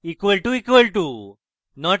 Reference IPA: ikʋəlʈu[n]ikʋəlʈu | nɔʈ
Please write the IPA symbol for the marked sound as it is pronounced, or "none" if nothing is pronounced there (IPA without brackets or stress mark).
none